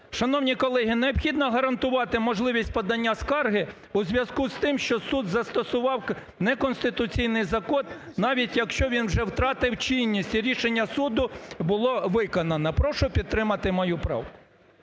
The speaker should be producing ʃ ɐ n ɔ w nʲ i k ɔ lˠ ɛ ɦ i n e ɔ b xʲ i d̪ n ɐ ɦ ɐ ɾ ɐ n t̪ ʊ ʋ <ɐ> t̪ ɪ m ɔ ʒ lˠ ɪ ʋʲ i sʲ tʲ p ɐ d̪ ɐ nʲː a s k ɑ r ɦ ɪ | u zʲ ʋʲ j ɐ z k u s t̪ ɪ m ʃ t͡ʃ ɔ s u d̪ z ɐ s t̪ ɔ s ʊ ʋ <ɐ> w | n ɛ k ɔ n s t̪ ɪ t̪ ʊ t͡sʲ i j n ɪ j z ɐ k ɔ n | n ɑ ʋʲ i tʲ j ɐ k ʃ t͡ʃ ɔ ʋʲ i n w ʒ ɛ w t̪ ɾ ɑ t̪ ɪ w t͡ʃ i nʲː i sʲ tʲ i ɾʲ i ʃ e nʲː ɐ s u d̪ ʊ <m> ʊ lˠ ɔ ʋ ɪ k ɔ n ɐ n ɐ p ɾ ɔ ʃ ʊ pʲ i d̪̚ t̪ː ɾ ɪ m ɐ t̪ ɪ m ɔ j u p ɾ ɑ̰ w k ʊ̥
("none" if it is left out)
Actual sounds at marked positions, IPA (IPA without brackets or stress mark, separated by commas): ɑ, ɑ, b